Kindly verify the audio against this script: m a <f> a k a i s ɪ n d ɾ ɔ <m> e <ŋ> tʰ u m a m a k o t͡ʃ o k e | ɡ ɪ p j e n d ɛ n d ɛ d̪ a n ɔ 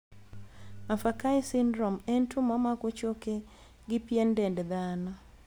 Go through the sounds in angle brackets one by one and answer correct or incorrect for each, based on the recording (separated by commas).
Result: correct, correct, incorrect